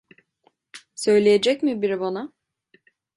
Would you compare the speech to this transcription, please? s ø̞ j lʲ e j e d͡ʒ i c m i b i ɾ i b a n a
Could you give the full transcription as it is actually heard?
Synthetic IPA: s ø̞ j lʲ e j e d͡ʒ ɛ c m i b i ɾ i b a n a